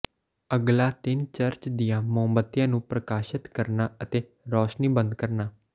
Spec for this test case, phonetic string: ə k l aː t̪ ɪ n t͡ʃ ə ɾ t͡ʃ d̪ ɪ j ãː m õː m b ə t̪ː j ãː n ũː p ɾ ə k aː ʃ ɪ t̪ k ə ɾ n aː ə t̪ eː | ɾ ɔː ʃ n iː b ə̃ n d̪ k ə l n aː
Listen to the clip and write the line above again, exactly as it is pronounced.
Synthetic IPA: ə ɡ l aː t̪ ɪ n t͡ʃ ə ɾ t͡ʃ d̪ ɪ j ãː m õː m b ə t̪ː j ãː n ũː p ɾ ə k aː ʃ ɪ t̪ k ə ɾ n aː ə t̪ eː | ɾ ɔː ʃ n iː b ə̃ n d̪ k ə ɾ n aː